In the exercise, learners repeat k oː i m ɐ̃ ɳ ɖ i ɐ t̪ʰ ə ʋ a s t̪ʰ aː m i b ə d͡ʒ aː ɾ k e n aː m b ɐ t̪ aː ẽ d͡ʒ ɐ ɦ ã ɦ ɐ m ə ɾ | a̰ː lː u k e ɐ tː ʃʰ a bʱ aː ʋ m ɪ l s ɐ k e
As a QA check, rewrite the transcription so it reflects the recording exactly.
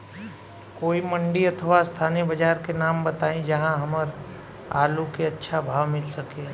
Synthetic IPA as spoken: k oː i m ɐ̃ ɳ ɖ i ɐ t̪ʰ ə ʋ a s t̪ʰ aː n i b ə d͡ʒ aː ɾ k e n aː m b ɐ t̪ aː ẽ d͡ʒ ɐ ɦ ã ɦ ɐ m ə ɾ | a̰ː l u k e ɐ tː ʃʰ a bʱ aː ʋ m ɪ l s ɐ k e